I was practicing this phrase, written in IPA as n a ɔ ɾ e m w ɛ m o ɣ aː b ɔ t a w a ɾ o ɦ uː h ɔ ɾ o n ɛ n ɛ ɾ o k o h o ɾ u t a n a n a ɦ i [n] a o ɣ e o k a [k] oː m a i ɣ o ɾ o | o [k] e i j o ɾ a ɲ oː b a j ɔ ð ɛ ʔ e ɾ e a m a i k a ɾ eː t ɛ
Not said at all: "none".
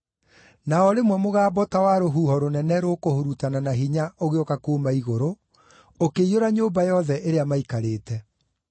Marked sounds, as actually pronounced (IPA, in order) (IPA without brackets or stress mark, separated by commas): ɲ, k, k